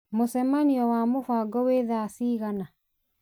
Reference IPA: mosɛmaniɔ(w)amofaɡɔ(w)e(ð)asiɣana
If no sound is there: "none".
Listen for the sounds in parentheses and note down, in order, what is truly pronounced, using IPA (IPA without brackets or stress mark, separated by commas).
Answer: w, w, ð